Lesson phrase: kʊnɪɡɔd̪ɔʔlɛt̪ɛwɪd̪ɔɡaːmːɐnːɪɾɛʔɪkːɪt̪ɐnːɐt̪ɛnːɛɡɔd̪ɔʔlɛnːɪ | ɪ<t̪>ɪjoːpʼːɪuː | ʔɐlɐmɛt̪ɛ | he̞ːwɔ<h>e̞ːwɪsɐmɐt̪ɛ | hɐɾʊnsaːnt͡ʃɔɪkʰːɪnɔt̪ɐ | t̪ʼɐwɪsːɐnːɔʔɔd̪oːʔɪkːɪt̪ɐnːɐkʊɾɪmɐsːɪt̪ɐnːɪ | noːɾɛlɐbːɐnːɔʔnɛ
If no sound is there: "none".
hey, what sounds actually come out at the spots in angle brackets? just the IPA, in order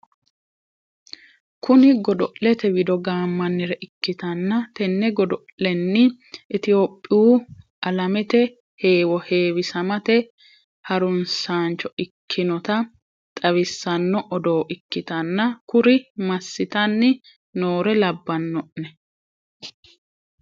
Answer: t̪, h

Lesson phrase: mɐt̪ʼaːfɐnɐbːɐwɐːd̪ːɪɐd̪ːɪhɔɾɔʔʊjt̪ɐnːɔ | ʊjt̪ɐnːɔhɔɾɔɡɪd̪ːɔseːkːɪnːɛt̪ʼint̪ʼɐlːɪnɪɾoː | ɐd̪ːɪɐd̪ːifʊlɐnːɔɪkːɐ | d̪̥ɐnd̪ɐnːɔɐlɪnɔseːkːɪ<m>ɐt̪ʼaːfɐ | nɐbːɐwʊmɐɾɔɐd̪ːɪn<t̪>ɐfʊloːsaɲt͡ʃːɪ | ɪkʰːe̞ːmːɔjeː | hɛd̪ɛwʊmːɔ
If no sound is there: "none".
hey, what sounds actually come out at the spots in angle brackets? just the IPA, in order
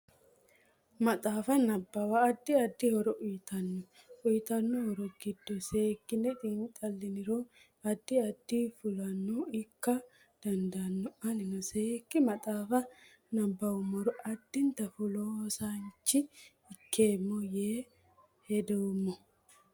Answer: m, t̪

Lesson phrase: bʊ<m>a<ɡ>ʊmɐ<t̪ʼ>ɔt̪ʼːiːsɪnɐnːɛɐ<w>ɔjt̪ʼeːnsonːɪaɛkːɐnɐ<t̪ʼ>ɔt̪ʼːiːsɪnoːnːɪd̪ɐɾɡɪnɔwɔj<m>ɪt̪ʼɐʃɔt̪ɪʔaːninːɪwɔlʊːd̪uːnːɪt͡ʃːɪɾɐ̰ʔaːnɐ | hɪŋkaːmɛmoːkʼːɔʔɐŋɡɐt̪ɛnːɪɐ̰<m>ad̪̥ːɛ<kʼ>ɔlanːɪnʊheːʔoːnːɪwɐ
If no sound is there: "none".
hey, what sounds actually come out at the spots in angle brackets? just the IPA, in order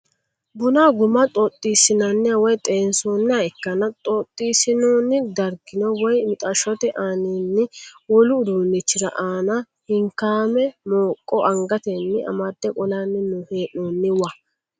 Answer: n, ɡ, t̪ʼ, w, t̪ʼ, m, m, kʼ

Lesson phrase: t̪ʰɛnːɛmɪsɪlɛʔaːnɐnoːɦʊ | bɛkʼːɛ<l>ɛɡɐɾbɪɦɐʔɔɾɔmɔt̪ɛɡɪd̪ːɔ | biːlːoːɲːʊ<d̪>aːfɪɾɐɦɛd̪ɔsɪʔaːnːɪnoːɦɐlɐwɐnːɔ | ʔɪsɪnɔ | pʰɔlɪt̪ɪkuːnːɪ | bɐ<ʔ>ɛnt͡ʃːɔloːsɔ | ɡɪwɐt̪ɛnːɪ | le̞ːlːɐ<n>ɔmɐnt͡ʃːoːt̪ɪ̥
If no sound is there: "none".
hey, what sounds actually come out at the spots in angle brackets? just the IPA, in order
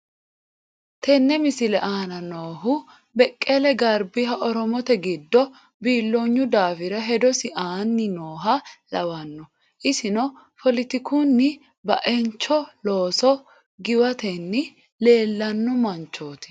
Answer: l, d̪, ʔ, nː

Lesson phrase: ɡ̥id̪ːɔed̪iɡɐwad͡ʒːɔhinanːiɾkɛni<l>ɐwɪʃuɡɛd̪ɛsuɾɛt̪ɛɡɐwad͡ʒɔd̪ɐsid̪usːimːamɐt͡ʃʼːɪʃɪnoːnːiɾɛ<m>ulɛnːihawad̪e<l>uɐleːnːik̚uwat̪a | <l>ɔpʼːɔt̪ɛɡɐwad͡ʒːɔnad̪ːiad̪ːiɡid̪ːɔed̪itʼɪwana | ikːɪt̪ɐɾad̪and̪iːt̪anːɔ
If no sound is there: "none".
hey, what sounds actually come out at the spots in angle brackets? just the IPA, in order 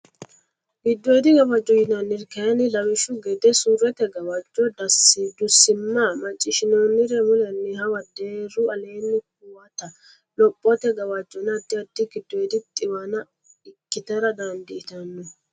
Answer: l, m, ɾ, l

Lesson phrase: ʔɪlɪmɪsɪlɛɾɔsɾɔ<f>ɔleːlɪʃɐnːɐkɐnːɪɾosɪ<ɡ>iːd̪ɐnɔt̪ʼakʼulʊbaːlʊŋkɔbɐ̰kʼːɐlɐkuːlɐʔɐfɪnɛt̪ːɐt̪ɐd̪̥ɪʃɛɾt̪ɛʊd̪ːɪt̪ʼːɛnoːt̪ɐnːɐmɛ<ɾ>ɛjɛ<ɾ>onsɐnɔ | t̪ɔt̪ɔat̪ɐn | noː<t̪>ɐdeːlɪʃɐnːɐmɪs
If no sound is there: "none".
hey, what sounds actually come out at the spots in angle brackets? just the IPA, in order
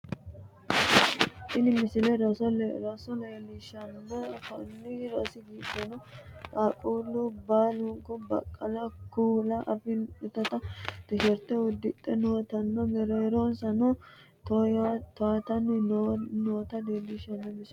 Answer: s, ɡ, ɾ, ɾ, t̪

